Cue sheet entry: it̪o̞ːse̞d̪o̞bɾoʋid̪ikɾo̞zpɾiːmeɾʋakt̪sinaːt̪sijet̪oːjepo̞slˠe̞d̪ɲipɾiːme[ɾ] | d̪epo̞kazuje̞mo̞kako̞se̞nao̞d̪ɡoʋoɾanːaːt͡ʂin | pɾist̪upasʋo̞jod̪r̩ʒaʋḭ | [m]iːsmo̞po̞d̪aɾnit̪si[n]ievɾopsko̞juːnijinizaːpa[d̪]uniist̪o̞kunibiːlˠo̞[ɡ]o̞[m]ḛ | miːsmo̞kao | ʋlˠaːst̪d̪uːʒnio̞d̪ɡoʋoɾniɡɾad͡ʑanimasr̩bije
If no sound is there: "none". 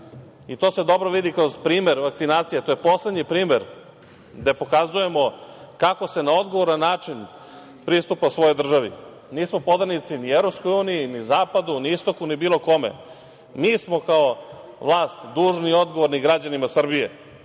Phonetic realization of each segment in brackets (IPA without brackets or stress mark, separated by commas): ɾ, n, n, d̪, k, m